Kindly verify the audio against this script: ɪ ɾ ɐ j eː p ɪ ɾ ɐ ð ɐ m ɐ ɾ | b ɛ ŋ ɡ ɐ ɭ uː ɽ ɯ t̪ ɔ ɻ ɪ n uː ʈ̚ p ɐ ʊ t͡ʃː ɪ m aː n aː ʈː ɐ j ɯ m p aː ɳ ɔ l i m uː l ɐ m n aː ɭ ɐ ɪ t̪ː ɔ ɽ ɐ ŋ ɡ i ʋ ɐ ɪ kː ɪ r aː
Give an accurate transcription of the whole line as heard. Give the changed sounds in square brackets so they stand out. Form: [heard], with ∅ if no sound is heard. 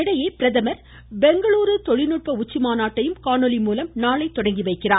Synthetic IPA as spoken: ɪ [ɽ] ɐ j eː p ɪ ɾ ɐ ð ɐ m ɐ ɾ | b ɛ ŋ ɡ ɐ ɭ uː [ɾ] ɯ t̪ ɔ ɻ ɪ n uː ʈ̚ p ɐ ʊ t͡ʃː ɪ m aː n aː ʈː ɐ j ɯ m [k] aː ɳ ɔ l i m uː l ɐ m n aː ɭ ɐ ɪ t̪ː ɔ ɽ ɐ ŋ ɡ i ʋ ɐ ɪ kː ɪ r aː